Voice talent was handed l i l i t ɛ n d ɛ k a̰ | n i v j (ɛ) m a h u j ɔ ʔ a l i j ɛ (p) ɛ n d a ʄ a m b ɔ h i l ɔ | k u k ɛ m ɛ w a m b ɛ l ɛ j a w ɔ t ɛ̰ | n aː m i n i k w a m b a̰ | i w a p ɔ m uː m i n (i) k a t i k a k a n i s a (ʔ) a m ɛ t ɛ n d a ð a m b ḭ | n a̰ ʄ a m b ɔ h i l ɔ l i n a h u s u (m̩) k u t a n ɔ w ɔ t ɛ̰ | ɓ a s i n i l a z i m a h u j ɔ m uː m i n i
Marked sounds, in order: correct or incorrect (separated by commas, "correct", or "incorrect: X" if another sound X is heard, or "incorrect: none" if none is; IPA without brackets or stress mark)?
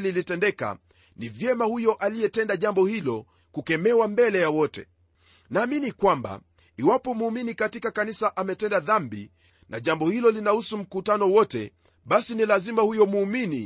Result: correct, incorrect: t, correct, correct, correct